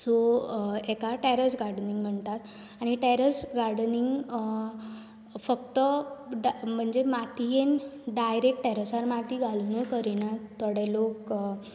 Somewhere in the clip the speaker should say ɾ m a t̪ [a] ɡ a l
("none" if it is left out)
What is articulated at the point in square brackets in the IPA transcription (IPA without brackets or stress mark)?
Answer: i